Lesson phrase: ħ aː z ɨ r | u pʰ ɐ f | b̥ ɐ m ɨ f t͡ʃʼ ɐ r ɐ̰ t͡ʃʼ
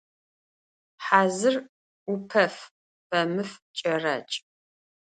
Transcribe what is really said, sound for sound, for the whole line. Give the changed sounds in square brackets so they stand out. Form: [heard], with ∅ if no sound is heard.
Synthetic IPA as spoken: ħ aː z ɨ r | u pʰ ɐ f | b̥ ɐ m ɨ f t͡ʃʼ ɐ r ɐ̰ t͡ʃʼ